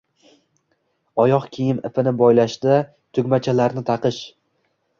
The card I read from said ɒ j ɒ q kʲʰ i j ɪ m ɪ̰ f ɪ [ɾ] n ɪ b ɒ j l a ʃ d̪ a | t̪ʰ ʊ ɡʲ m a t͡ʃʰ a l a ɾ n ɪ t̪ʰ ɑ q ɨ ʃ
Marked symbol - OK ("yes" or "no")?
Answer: no